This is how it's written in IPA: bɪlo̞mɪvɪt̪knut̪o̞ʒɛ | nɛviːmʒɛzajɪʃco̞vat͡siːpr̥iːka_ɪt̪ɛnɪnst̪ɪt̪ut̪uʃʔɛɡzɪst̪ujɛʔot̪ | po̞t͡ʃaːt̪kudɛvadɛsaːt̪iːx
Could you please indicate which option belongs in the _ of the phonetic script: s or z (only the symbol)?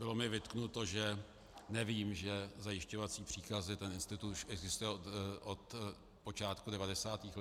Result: z